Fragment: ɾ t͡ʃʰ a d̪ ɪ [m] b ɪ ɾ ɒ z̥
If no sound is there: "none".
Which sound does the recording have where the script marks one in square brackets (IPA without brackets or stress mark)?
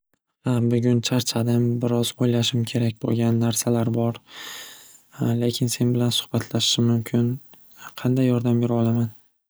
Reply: m